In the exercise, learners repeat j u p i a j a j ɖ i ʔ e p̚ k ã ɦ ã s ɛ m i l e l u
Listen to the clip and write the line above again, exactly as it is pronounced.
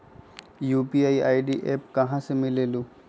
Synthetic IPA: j u p i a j a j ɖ i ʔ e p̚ k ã ɦ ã s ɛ m i l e l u